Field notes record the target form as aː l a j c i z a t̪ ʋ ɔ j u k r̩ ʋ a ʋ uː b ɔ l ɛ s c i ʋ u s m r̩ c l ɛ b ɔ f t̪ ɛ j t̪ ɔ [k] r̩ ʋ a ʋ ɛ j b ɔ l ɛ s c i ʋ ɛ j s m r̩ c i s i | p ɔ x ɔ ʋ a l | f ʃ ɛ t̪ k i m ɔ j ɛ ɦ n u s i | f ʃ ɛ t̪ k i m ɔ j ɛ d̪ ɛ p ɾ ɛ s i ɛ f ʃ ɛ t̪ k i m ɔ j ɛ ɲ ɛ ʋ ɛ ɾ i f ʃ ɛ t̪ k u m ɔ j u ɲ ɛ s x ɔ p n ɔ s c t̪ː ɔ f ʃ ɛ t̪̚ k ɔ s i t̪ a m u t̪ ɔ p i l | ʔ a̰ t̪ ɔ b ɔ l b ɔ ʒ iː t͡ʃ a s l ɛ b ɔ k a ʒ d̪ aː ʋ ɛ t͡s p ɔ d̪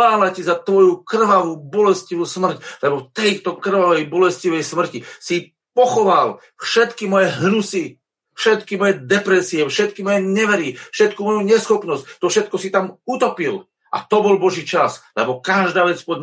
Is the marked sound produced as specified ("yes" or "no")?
yes